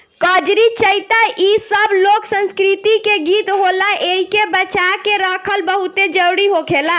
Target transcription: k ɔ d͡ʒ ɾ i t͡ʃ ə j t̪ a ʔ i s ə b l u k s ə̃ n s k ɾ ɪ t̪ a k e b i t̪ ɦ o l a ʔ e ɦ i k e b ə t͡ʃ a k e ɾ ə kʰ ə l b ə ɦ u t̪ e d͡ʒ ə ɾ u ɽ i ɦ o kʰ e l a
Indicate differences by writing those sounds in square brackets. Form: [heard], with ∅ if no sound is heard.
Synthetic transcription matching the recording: k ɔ d͡ʒ ɾ i t͡ʃ ə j t̪ a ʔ i s ə b l [o] k s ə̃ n s k ɾ [i] t̪ [i] k e [ɡ] i t̪ ɦ o l a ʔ e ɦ i k e b ə t͡ʃ a k e ɾ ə kʰ ə l b ə ɦ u t̪ e d͡ʒ ə ɾ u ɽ i ɦ o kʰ e l a